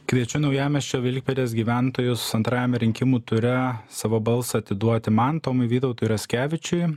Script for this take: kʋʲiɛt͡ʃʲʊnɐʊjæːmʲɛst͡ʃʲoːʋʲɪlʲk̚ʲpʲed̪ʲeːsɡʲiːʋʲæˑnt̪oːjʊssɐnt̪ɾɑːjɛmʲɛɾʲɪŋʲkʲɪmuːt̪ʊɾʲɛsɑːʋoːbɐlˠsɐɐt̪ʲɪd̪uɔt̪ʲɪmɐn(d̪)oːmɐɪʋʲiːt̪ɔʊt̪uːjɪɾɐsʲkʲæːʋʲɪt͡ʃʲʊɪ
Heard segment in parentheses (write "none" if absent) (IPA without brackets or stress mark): t̪